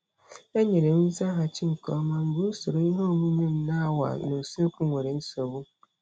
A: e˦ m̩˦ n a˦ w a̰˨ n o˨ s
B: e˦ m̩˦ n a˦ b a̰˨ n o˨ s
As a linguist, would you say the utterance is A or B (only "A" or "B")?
A